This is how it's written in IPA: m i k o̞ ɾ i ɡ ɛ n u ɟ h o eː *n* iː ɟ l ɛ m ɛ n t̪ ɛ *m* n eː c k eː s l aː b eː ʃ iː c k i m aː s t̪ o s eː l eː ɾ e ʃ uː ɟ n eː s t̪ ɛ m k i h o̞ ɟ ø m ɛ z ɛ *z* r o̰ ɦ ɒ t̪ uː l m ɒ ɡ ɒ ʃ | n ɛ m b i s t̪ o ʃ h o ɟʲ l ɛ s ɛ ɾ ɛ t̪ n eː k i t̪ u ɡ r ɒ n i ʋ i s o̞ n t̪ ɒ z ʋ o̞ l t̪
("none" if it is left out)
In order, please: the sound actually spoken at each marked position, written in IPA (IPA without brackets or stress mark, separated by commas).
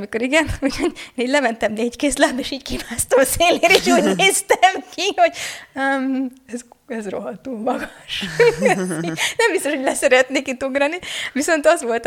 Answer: n, m, z